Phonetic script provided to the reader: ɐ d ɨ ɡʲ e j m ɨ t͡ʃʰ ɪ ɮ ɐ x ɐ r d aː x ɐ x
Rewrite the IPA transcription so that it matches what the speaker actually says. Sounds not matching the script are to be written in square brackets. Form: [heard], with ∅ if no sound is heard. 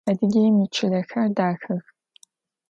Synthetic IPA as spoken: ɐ d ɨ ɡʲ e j m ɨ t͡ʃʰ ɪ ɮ ɐ x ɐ r d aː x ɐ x